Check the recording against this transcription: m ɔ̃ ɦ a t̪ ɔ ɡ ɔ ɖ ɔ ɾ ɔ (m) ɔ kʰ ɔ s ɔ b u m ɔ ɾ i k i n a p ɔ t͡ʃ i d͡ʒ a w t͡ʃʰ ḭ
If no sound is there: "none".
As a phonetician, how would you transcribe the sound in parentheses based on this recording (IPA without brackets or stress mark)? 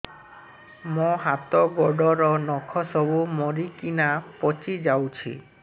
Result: n